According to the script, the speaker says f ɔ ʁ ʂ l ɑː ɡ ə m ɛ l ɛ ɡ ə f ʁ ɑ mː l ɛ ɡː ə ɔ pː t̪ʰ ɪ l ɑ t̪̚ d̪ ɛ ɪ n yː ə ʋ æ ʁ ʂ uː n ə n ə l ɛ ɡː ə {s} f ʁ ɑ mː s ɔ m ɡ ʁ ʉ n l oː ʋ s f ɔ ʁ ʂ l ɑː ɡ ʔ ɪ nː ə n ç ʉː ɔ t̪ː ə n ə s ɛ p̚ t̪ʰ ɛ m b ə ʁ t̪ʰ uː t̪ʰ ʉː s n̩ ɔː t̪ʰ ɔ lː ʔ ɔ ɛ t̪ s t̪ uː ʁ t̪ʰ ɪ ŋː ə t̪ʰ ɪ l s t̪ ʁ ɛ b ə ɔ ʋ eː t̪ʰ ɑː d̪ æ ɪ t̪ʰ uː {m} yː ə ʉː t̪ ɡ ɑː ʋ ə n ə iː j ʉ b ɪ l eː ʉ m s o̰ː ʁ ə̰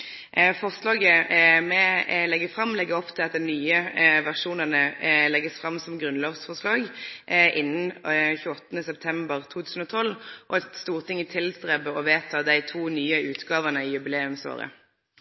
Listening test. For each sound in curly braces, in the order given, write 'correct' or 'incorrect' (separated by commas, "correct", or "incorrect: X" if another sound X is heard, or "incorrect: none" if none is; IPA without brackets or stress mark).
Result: correct, incorrect: n